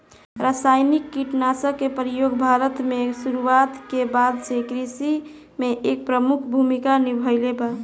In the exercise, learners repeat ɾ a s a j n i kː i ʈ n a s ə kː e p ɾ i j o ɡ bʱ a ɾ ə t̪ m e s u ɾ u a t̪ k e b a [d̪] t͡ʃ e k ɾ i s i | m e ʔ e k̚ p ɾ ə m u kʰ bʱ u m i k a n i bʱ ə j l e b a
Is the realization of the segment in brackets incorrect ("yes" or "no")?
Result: no